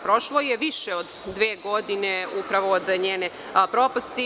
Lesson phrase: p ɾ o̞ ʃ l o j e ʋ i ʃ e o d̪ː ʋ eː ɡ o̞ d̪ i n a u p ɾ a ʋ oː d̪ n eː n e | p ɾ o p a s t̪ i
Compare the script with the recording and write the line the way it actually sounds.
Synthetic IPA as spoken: p ɾ o̞ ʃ l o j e ʋ i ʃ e o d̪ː ʋ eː ɡ o̞ d̪ i n e u p ɾ a ʋ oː d̪ ɲ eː n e | p ɾ o p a s t̪ i